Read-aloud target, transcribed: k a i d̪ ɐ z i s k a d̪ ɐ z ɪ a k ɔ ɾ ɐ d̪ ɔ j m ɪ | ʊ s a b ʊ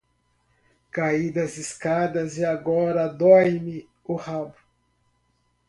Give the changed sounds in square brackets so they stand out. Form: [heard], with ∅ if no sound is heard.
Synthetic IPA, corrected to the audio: k a i d̪ ɐ z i s k a d̪ ɐ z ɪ a [ɡ] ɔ ɾ ɐ d̪ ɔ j m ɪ | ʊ [h] a b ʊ